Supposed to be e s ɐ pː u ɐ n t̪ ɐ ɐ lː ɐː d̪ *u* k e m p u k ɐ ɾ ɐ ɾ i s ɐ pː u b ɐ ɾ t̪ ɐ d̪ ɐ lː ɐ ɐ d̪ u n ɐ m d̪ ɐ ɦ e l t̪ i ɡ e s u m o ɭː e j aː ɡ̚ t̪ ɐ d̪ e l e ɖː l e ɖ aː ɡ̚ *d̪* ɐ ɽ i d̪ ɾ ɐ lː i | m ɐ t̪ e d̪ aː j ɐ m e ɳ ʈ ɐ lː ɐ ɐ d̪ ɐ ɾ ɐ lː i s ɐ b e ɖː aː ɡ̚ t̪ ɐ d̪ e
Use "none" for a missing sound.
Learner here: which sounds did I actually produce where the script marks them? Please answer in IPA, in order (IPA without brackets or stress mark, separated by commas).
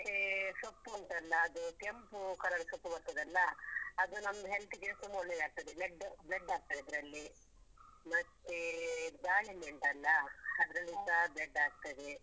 u, t̪